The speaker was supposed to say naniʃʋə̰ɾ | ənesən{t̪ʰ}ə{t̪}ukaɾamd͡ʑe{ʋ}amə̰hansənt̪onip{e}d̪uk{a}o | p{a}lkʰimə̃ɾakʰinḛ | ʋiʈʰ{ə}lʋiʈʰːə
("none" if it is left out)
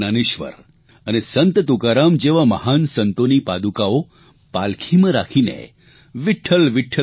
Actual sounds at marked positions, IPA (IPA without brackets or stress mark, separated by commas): t̪, t̪, ʋ, a, a, a, ə